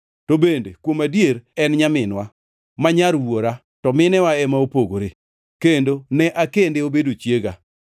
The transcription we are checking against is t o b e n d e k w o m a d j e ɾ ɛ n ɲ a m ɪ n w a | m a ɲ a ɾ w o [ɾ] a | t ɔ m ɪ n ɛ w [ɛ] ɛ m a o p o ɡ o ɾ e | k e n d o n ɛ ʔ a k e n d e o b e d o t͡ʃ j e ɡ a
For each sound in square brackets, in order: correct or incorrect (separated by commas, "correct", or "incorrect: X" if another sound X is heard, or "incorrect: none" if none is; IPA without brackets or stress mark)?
correct, incorrect: a